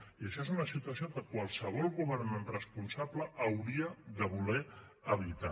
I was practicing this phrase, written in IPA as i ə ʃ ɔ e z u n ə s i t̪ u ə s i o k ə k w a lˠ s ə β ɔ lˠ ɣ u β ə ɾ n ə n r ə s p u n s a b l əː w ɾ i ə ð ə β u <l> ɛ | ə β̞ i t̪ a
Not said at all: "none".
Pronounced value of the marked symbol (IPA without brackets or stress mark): l